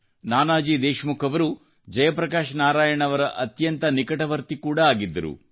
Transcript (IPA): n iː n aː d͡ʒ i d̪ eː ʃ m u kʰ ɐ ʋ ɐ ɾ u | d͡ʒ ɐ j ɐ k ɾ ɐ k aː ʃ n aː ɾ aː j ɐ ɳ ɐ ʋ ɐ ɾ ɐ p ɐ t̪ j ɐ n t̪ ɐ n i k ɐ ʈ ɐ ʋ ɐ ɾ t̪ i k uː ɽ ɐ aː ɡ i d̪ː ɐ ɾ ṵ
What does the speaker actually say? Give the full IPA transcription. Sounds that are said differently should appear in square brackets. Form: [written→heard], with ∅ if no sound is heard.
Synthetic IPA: n [iː→aː] n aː d͡ʒ i d̪ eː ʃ m u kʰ ɐ ʋ ɐ ɾ u | d͡ʒ ɐ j ɐ [k→p] ɾ ɐ k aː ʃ n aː ɾ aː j ɐ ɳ ɐ ʋ ɐ ɾ ɐ [p→ʔ] ɐ t̪ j ɐ n t̪ ɐ n i k ɐ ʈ ɐ ʋ ɐ ɾ t̪ i k uː ɽ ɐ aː ɡ i d̪ː ɐ ɾ ṵ